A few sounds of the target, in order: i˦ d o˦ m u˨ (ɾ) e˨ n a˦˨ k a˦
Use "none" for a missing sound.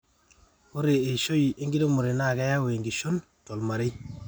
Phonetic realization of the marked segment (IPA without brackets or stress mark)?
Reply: ɾ